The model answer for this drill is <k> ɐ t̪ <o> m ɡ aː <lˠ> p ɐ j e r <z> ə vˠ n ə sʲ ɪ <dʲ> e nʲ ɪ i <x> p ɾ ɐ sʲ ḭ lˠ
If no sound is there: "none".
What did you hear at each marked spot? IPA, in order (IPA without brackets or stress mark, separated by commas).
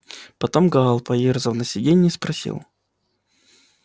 p, o, lˠ, z, dʲ, s